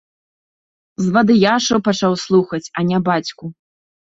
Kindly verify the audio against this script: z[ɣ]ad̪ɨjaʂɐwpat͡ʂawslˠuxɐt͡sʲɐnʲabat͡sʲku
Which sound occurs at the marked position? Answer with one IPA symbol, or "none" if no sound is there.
v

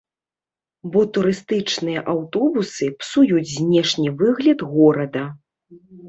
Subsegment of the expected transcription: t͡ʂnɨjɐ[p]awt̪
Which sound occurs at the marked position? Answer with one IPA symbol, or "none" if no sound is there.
ʔ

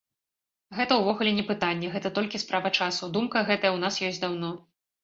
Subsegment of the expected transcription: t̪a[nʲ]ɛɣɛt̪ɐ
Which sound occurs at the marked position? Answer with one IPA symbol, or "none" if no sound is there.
nʲː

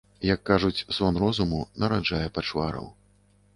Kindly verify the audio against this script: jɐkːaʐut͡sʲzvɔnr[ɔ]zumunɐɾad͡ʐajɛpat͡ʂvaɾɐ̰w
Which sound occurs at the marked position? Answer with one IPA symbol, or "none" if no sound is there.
ɔ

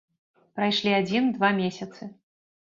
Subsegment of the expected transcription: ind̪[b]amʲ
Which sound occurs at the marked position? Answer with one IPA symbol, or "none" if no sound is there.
v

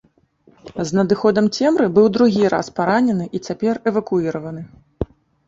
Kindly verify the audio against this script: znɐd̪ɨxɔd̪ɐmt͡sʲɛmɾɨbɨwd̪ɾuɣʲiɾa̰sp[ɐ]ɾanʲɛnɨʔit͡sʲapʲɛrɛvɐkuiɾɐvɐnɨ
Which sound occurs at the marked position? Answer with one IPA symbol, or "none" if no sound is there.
a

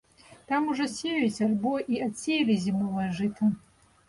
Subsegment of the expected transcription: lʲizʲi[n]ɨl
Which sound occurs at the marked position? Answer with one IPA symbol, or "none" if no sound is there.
m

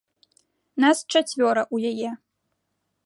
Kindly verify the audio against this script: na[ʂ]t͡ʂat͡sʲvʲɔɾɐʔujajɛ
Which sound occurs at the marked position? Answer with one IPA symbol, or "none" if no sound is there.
s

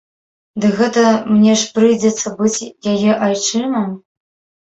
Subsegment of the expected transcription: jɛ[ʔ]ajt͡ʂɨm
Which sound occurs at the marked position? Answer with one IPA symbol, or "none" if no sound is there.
ʔ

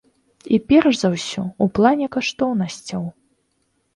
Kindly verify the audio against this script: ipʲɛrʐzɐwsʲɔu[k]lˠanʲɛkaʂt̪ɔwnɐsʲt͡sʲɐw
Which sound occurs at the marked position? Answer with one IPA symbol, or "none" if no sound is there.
p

